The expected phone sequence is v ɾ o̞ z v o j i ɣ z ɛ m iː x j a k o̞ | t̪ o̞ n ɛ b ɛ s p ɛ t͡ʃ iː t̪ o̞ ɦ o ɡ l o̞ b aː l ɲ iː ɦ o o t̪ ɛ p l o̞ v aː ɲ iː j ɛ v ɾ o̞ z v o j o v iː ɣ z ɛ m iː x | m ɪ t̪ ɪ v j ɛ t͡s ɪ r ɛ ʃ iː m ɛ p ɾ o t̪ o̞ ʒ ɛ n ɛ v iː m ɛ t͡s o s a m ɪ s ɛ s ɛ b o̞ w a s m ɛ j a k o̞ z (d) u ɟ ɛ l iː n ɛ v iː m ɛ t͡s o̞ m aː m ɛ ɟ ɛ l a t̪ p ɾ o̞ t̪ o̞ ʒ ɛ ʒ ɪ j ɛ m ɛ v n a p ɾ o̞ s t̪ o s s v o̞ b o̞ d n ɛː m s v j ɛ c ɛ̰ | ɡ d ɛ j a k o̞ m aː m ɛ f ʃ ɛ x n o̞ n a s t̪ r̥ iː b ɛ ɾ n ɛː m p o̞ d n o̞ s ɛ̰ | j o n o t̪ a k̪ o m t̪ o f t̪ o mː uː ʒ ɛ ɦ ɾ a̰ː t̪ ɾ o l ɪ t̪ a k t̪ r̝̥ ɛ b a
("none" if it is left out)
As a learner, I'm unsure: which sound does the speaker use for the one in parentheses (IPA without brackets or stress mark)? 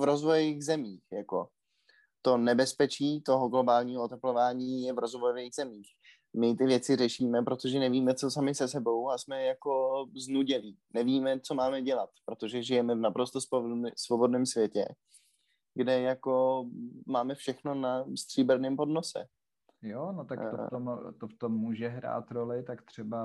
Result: n